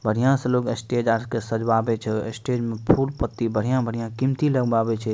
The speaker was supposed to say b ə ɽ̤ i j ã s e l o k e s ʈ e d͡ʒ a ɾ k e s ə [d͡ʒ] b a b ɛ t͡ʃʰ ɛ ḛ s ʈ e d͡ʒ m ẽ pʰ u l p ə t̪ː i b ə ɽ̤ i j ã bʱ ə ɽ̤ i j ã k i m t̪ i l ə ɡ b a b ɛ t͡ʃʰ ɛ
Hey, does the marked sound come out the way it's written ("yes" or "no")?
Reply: yes